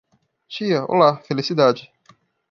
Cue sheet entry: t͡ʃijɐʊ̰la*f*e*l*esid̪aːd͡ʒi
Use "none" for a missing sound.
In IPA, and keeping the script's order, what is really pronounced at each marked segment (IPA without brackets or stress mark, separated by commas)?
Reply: f, l